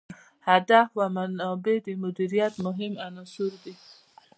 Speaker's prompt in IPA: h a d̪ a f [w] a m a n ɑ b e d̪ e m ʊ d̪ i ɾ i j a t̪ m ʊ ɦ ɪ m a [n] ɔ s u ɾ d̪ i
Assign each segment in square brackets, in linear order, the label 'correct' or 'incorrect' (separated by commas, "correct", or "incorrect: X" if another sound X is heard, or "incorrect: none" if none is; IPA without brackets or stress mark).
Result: correct, correct